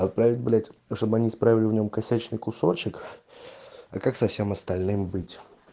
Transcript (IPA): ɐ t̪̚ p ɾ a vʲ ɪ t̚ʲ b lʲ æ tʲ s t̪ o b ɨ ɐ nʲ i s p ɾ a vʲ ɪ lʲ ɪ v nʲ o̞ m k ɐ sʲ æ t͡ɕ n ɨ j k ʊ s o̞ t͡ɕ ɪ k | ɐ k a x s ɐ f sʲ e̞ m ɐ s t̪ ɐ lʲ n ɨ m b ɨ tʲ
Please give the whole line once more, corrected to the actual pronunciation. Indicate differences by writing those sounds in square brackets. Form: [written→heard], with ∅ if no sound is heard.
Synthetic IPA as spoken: ɐ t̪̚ p ɾ a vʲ ɪ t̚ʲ b lʲ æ tʲ [s→ʂ] t̪ o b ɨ ɐ nʲ i s p ɾ a vʲ ɪ lʲ ɪ v nʲ o̞ m k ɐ sʲ æ t͡ɕ n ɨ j k ʊ s o̞ t͡ɕ ɪ k | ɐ k a [x→k] s ɐ f sʲ e̞ m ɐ s t̪ ɐ lʲ n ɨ m b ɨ tʲ